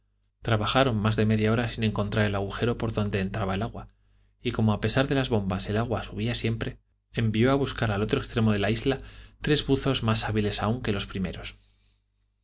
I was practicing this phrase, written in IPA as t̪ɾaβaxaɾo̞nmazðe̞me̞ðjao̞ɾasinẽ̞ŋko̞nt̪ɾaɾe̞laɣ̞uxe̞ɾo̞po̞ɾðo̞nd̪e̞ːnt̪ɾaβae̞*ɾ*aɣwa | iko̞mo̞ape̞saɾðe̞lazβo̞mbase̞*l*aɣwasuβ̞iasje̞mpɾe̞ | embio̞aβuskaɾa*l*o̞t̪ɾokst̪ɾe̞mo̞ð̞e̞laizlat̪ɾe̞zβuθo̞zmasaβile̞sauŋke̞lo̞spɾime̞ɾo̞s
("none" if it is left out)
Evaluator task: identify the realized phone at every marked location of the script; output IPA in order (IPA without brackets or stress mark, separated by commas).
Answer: l, l, l